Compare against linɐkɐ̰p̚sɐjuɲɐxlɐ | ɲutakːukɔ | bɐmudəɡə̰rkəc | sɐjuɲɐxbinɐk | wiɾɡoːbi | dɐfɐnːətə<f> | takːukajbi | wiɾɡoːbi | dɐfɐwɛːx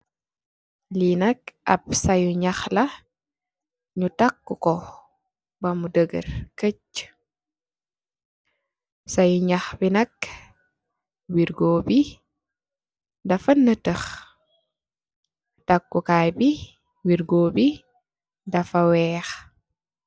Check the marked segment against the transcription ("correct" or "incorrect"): incorrect